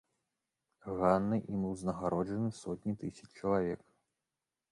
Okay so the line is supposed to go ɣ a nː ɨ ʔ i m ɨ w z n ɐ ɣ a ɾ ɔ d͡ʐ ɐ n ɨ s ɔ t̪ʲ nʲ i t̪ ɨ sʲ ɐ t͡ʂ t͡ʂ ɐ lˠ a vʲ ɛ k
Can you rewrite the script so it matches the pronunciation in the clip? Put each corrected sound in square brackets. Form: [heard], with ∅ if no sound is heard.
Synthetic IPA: ɣ a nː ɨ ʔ i m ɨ w z n ɐ ɣ a ɾ ɔ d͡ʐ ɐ n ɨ s ɔ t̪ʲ nʲ i t̪ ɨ sʲ ɐ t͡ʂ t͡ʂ ɐ lˠ a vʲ ɛ k